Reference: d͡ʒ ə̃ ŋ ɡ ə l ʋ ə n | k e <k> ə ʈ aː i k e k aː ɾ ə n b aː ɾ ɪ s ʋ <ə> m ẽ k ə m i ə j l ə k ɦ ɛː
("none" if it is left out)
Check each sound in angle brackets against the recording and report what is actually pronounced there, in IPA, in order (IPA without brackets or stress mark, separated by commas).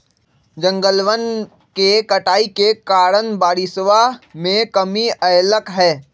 k, a